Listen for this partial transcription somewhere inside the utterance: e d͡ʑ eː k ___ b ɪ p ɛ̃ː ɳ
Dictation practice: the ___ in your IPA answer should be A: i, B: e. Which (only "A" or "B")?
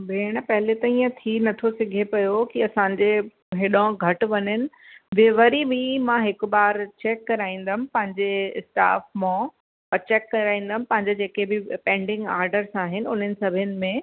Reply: B